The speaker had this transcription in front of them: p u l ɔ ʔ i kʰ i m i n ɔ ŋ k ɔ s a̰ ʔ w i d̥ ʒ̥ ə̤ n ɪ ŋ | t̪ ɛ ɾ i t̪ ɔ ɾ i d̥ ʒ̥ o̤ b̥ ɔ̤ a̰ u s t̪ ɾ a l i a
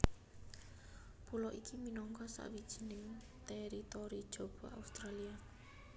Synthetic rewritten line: p u l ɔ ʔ i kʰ i m i n ɔ ŋ k ɔ s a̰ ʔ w i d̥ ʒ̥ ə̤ n ɪ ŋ | t̪ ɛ ɾ i t̪ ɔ ɾ i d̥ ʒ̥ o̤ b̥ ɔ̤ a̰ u s t̪ ɾ a l i a

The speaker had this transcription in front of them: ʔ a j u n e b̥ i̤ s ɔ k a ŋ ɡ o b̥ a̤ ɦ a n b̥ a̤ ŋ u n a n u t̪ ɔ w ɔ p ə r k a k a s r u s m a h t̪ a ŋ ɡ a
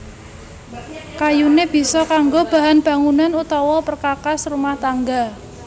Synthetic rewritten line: k a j u n e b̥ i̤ s ɔ k a ŋ ɡ o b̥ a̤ ɦ a n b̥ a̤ ŋ u n a n u t̪ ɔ w ɔ p ə r k a k a s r u m a h t̪ a ŋ ɡ a

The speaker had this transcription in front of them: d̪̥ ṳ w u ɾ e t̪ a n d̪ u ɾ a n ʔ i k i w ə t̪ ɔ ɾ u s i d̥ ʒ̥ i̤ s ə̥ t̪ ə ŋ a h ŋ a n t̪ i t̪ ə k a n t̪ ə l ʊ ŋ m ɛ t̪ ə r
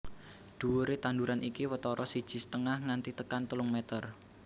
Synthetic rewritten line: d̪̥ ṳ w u ɾ e t̪ a n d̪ u ɾ a n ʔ i k i w ə t̪ ɔ ɾ ɔ s i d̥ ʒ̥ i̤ s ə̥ t̪ ə ŋ a h ŋ a n t̪ i t̪ ə k a n t̪ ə l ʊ ŋ m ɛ t̪ ə r

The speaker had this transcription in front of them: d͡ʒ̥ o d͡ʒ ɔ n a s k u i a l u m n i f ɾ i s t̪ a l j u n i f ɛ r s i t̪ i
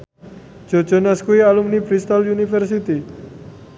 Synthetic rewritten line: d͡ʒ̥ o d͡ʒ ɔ n a s k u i a l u m n i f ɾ i s t̪ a l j u n i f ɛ r s i t̪ i

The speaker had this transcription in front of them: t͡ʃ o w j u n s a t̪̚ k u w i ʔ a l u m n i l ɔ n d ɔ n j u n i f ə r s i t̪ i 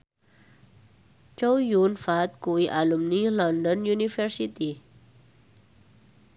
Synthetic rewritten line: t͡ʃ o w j u n f a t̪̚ k u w i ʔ a l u m n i l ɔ n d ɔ n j u n i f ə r s i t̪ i

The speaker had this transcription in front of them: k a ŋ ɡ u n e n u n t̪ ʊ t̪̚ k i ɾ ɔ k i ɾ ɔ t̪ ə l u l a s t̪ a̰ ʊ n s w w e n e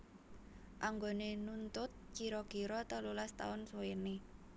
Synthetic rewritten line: ʔ a ŋ ɡ o n e n u n t̪ ʊ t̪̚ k i ɾ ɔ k i ɾ ɔ t̪ ə l u l a s t̪ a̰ ʊ n s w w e n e

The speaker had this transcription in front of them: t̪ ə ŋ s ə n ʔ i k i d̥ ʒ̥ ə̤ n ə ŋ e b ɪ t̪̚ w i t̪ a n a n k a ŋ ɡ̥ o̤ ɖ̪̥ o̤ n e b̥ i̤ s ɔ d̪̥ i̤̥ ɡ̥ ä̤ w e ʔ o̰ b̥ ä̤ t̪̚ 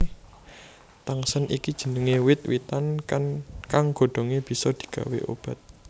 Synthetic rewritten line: t̪ a ŋ s ə n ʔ i k i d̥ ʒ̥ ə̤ n ə ŋ e w ɪ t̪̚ w i t̪ a n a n k a ŋ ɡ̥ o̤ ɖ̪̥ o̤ ŋ e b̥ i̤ s ɔ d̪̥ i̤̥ ɡ̥ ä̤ w e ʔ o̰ b̥ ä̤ t̪̚

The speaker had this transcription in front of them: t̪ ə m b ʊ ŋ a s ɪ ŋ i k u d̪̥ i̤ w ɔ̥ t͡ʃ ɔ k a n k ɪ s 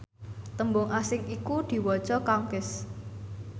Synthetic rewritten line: t̪ ə m b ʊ ŋ a s ɪ ŋ i k u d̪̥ i̤ w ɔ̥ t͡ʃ ɔ k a ŋ k ɪ s

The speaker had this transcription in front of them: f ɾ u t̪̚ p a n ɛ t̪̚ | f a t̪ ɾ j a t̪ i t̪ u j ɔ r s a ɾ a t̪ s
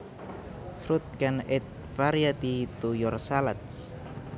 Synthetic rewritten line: f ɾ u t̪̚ k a n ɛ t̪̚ | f a ɾ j a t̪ i t̪ u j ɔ r s a l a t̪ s

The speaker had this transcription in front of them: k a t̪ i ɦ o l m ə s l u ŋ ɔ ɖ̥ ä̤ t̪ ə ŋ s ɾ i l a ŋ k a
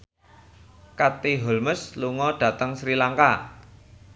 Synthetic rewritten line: k a t̪ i ɦ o l m ə s l u ŋ ɔ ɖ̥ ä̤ t̪ ə ŋ s ɾ i l a ŋ k a

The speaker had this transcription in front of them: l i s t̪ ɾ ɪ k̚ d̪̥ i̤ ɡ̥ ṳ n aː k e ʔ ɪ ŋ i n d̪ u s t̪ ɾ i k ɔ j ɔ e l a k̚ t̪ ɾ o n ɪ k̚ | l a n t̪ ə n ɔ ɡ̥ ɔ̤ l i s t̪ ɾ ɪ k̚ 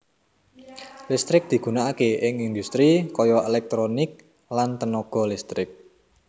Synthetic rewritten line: l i s t̪ ɾ ɪ k̚ d̪̥ i̤ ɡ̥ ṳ n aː k e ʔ ɪ ŋ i n d̪ u s t̪ ɾ i k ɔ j ɔ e l ɛ k̚ t̪ ɾ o n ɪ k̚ | l a n t̪ ə n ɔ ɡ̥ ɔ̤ l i s t̪ ɾ ɪ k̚

